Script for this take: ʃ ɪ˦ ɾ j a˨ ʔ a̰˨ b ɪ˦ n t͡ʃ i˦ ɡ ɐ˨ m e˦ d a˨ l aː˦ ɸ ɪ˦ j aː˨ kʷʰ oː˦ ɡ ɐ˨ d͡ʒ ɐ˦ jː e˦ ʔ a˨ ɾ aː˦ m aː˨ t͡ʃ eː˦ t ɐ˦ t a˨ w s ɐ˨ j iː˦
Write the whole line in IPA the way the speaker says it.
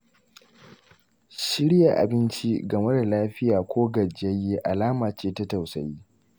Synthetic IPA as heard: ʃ ɪ˦ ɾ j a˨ ʔ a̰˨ b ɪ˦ n t͡ʃ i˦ ɡ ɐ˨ m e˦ d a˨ l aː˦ ɸ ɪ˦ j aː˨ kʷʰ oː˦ ɡ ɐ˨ d͡ʒ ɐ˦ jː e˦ ʔ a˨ l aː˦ m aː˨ t͡ʃ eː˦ t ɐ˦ t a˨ w s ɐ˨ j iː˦